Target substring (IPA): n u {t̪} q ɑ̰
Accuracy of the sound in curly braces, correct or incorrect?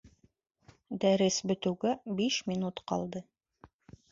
correct